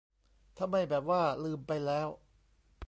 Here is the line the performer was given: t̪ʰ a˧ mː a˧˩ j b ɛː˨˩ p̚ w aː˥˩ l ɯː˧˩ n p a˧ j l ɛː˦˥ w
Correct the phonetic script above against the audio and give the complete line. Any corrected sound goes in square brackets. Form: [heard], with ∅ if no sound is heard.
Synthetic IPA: t̪ʰ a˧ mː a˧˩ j b ɛː˨˩ p̚ w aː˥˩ l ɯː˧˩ [m] p a˧ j l ɛː˦˥ w